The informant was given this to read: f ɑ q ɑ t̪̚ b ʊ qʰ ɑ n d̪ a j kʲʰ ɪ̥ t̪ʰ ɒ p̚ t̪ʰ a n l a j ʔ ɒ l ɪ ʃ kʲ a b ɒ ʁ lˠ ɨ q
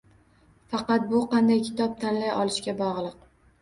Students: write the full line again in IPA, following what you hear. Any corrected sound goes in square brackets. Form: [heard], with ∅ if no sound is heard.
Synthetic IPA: f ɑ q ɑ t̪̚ b ʊ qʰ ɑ n d̪ a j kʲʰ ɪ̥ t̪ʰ ɒ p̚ t̪ʰ a n l a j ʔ ɒ l ɪ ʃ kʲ a b ɒ ʁ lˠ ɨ q

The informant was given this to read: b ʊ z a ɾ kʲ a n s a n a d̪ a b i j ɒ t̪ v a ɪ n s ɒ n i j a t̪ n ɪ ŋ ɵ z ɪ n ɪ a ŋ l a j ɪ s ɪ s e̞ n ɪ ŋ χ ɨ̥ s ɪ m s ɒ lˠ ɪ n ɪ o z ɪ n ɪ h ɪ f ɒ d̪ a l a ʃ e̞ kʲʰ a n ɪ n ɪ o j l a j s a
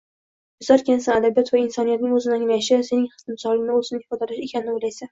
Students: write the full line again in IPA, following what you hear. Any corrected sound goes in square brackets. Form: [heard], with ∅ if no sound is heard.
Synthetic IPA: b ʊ z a ɾ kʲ a n s a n a d̪ a b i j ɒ t̪ v a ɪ n s ɒ n i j a t̪ n ɪ ŋ ɵ z ɪ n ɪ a ŋ l a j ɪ [ʃ] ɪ s e̞ n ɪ ŋ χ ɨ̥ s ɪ m s ɒ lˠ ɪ n ɪ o z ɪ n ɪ h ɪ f ɒ d̪ a l a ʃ e̞ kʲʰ a n ɪ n ɪ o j l a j s a

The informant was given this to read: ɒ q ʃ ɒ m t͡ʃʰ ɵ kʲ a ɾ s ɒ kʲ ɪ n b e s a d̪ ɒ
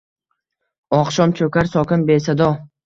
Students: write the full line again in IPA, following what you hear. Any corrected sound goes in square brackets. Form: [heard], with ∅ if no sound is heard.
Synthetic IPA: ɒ q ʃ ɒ m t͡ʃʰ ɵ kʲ a ɾ s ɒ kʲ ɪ n b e s a d̪ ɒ

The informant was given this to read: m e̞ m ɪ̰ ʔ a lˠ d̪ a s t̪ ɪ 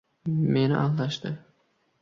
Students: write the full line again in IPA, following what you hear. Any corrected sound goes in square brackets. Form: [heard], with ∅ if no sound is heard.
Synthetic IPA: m e̞ [n] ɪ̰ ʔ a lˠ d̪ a [ʃ] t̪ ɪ

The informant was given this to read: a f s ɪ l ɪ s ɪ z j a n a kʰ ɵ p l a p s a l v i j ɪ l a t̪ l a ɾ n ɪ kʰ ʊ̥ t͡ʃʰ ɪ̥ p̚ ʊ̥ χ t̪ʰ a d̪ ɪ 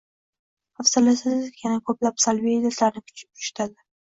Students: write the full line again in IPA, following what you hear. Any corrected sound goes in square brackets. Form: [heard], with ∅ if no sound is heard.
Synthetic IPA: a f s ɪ l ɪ s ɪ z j a n a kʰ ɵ p l a p s a l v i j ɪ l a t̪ l a ɾ n ɪ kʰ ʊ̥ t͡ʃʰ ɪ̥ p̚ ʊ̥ [ʃ] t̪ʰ a d̪ ɪ

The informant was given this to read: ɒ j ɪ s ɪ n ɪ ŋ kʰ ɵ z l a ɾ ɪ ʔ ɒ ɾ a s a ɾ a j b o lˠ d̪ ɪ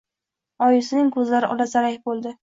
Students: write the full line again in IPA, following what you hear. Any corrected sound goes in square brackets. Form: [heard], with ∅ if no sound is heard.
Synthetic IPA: ɒ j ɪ s ɪ n ɪ ŋ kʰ ɵ z l a ɾ ɪ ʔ ɒ [l] a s a ɾ a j b o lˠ d̪ ɪ

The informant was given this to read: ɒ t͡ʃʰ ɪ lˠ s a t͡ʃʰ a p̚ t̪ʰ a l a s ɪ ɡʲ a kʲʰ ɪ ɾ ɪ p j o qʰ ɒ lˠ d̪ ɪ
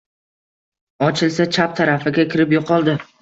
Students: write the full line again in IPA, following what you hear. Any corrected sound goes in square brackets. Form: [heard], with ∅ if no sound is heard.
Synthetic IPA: ɒ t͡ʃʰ ɪ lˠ s a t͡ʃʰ a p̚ t̪ʰ a [ɾ] a [f] ɪ ɡʲ a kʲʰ ɪ ɾ ɪ p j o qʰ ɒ lˠ d̪ ɪ

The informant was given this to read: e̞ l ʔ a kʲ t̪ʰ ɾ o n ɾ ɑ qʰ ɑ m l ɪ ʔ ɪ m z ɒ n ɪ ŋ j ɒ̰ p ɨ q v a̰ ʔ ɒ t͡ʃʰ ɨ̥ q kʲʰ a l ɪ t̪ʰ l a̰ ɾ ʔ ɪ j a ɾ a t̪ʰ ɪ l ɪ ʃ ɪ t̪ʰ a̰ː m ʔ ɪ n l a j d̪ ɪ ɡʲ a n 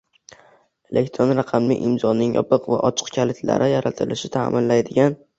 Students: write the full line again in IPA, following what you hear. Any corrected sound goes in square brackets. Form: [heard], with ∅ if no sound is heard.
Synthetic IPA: e̞ l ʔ [e] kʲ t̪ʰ ɾ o n ɾ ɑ qʰ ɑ m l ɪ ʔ ɪ m z ɒ n ɪ ŋ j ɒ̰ p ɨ q v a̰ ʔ ɒ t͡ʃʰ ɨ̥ q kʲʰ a l ɪ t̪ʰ l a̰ ɾ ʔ ɪ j a ɾ a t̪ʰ ɪ l ɪ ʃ ɪ t̪ʰ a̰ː m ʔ ɪ n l a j d̪ ɪ ɡʲ a n

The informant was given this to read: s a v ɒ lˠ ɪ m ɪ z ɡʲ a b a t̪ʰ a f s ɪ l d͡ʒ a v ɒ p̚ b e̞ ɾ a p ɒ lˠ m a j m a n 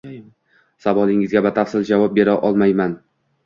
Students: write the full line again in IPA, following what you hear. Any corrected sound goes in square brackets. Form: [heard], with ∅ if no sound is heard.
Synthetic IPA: s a v ɒ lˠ ɪ [ŋ] ɪ z ɡʲ a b a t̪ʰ a f s ɪ l d͡ʒ a v ɒ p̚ b e̞ ɾ a [ʔ] ɒ lˠ m a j m a n

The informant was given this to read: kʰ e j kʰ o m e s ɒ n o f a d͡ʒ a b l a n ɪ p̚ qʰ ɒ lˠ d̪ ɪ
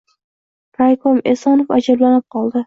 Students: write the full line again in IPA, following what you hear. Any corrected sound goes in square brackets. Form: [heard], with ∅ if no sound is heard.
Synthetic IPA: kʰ [a] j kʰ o m e s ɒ n o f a d͡ʒ a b l a n ɪ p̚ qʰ ɒ lˠ d̪ ɪ

